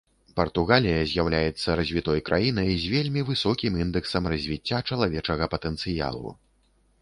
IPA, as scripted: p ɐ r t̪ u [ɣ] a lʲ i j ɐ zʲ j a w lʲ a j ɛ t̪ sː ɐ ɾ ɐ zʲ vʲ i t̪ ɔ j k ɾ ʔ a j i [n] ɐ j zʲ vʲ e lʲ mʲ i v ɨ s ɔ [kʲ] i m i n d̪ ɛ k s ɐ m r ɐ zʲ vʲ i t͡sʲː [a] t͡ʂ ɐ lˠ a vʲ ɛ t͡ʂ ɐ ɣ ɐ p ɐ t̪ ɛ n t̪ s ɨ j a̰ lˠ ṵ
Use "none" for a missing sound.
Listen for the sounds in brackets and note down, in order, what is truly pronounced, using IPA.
ɣ, n, kʲ, a

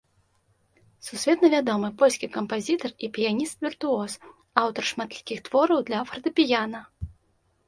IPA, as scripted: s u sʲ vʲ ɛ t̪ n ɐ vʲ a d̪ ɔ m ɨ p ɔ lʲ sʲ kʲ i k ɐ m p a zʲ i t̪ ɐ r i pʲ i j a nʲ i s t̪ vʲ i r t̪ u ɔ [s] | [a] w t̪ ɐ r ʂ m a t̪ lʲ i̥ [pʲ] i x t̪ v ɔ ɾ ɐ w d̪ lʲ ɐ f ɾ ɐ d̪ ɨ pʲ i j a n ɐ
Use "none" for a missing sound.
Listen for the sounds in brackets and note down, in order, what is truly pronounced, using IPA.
s, a, kʲ

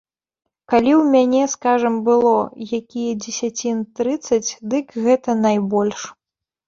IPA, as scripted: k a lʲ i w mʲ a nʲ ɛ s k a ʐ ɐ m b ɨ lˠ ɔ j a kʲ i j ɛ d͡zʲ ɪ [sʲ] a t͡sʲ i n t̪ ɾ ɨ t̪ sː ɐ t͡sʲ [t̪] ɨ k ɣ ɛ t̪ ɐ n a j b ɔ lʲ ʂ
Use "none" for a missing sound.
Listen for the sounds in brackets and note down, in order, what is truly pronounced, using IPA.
sʲ, d̪

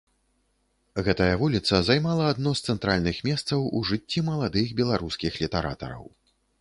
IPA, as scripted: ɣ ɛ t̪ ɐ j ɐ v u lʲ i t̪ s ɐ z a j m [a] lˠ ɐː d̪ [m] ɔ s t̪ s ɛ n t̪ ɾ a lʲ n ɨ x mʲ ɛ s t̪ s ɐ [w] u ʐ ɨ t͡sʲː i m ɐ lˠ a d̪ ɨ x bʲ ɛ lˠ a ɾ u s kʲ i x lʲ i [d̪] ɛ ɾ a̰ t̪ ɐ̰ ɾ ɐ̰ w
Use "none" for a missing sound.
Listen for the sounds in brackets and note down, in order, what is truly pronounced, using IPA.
a, n, w, t̪

